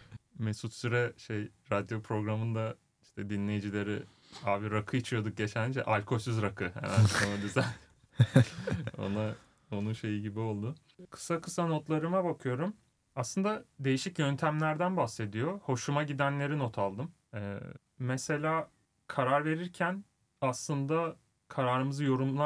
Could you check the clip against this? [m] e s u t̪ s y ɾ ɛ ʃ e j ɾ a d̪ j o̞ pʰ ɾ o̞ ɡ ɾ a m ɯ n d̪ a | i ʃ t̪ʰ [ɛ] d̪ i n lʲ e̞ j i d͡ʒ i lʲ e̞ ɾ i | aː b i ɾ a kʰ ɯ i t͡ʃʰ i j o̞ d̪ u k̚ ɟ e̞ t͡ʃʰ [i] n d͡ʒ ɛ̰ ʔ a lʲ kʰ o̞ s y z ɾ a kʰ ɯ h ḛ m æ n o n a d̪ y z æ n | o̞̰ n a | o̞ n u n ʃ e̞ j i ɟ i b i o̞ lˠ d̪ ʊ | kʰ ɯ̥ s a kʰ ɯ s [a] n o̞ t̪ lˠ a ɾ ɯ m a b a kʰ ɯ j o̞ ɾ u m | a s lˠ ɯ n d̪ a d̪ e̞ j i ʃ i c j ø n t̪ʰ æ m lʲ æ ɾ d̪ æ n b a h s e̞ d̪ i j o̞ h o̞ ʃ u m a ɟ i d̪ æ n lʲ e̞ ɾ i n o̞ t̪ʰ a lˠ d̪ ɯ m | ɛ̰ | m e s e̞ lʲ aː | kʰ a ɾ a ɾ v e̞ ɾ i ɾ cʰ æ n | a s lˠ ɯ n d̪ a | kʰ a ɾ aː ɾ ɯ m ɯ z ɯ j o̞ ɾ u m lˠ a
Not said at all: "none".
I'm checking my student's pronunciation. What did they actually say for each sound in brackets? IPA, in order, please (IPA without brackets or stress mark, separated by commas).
m, ɛ, æ, a